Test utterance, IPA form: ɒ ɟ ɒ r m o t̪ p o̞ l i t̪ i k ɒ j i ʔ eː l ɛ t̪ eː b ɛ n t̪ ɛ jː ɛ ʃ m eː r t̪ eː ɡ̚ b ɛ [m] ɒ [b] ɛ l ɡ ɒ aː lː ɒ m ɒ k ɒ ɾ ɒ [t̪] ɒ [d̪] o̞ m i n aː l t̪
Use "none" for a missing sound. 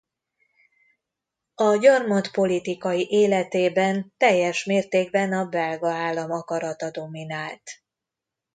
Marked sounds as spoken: n, b, t̪, d̪

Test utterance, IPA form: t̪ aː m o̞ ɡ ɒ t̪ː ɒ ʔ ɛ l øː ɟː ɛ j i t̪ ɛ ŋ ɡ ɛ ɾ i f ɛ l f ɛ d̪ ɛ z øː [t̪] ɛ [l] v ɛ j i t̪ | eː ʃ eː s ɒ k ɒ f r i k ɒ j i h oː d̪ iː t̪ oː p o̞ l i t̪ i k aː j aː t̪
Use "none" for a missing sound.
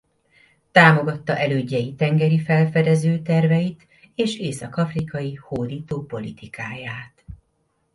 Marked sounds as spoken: t̪, r

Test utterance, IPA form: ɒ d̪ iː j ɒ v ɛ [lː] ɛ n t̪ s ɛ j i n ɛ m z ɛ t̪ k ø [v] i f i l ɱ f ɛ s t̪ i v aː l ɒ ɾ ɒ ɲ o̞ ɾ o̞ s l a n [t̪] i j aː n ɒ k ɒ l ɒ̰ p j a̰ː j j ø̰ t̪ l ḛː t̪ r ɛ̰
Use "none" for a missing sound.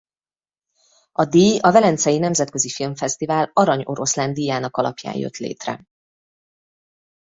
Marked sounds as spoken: l, z, d̪

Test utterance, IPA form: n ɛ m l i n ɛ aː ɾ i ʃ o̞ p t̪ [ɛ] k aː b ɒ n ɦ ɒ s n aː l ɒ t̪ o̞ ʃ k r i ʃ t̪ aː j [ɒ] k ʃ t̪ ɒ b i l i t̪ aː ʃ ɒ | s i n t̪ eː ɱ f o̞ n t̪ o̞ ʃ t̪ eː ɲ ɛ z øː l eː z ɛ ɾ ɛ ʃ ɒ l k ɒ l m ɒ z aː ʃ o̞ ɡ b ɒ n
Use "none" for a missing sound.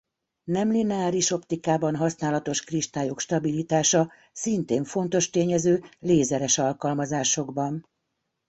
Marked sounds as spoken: i, o

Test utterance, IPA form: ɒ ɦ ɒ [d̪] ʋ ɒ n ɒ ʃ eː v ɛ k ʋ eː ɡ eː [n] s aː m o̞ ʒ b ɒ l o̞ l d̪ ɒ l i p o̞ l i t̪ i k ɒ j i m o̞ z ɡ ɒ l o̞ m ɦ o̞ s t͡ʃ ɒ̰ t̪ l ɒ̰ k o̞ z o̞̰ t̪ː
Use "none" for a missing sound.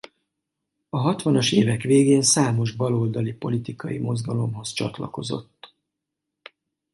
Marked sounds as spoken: t̪, n

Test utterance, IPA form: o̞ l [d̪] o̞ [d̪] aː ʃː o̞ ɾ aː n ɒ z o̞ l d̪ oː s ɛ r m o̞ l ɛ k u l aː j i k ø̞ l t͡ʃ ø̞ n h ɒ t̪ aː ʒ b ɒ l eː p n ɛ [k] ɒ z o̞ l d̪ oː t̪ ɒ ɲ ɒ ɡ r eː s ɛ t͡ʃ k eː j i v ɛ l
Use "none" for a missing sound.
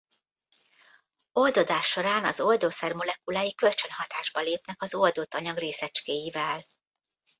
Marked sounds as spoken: d̪, d̪, k

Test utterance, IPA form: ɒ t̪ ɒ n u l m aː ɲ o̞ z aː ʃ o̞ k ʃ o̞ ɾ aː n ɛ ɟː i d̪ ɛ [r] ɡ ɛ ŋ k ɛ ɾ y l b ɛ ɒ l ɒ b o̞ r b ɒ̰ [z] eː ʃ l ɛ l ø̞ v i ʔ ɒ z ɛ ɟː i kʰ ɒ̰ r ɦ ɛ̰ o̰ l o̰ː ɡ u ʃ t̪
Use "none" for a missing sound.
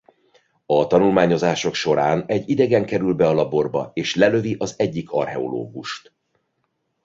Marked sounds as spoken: none, none

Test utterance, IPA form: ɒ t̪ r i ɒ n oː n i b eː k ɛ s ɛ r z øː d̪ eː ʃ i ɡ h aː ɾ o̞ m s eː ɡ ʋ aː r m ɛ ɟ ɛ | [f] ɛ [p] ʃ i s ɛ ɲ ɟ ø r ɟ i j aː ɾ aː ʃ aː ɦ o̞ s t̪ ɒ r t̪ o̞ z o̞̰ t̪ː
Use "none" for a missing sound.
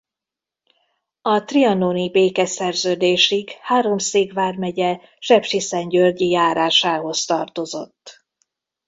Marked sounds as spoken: ʃ, p

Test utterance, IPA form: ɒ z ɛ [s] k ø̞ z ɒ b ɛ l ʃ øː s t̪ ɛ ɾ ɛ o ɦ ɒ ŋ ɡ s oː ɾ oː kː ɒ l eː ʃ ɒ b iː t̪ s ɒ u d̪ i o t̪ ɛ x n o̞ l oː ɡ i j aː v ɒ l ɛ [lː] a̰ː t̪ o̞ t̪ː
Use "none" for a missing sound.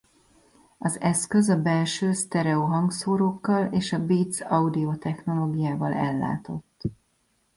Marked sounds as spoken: s, lː

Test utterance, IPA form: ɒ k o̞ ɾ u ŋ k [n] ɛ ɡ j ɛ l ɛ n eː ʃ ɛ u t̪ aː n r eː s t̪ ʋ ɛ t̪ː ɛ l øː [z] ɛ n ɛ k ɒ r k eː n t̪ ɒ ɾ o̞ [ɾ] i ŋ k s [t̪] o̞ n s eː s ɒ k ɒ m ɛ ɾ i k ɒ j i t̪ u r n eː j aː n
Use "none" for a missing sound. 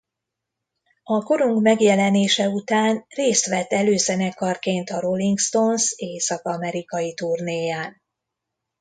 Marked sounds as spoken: m, z, l, t̪

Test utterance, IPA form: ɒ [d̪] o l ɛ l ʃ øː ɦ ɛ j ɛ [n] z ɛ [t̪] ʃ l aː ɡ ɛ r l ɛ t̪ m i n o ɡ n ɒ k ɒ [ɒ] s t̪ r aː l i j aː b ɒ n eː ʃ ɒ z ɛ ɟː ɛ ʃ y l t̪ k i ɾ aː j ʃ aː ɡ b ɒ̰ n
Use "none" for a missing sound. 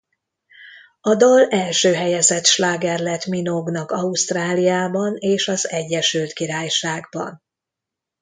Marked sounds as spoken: d̪, none, t̪, u

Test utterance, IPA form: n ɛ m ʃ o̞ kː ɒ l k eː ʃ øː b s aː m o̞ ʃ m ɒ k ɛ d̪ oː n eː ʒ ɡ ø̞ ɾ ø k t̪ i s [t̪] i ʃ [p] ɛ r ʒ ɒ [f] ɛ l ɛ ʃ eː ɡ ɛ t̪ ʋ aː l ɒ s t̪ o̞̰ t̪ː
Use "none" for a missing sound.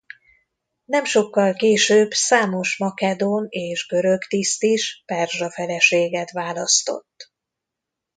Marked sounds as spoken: t̪, p, f

